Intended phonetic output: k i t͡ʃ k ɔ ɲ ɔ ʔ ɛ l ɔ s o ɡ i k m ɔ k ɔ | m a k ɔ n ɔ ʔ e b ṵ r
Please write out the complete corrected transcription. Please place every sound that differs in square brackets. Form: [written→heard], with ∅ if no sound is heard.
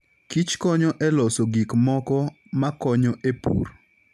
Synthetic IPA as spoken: k i t͡ʃ k ɔ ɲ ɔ ʔ ɛ l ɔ s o ɡ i k m ɔ k ɔ | m a k ɔ [n→ɲ] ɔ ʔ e [b→p] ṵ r